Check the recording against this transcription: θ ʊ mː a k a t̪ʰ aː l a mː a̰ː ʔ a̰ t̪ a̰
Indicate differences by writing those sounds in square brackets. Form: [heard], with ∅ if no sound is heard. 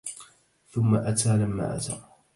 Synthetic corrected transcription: θ ʊ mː a [ʔ] a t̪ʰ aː l a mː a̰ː ʔ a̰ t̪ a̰